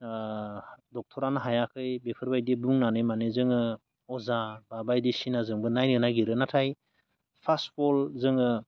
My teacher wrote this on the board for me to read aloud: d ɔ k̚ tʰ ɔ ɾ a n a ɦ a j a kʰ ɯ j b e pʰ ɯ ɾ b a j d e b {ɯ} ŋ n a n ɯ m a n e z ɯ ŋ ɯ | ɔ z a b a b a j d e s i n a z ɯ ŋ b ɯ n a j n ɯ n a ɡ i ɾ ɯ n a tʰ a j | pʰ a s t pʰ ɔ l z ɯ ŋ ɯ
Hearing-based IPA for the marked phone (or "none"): u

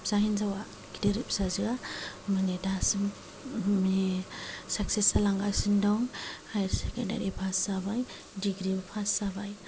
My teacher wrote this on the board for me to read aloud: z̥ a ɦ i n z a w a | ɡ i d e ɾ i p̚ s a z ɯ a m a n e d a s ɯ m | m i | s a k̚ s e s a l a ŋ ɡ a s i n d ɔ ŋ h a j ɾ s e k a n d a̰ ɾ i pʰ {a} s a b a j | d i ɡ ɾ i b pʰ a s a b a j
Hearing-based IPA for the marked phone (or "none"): a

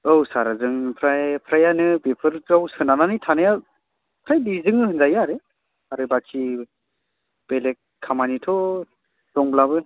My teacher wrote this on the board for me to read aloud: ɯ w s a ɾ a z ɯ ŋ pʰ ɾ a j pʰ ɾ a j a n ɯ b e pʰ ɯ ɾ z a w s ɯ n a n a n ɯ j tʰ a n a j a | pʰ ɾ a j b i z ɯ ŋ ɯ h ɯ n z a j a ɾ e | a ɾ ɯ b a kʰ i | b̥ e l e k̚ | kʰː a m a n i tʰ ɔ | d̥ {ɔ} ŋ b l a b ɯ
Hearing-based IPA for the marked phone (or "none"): ɔ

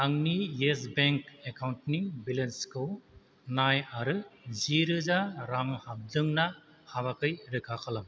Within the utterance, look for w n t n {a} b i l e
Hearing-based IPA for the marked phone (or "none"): i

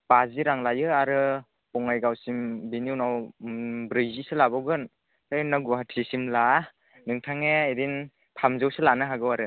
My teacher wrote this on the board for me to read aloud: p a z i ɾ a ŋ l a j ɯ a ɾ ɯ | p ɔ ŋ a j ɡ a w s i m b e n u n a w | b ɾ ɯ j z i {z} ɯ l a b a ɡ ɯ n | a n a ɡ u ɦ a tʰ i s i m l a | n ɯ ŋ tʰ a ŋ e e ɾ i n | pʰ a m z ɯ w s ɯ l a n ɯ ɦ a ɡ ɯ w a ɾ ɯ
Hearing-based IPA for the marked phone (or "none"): s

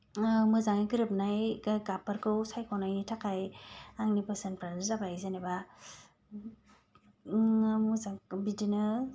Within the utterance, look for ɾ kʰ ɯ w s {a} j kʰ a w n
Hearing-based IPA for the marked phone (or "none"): a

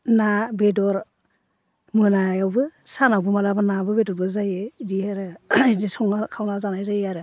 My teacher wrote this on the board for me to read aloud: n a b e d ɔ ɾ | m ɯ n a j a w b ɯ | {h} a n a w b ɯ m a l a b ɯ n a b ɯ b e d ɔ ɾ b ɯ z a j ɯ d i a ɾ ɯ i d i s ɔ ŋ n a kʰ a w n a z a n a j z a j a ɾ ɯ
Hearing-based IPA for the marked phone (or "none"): s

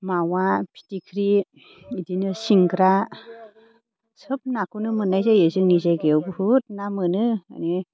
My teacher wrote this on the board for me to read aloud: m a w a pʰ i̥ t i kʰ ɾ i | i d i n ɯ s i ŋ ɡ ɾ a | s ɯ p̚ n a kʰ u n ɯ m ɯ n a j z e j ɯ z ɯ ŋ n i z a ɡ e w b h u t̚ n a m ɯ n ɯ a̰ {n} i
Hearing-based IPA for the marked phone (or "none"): n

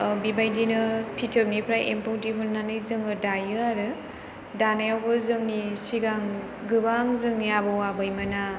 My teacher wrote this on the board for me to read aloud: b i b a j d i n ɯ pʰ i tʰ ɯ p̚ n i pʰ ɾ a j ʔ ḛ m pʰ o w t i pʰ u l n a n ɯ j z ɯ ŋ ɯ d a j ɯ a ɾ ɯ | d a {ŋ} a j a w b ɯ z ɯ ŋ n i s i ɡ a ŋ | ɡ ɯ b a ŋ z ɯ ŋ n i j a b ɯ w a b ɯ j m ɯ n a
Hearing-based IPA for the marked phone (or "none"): n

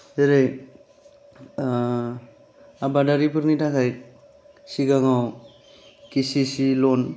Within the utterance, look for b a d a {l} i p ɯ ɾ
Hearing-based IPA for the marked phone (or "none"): ɾ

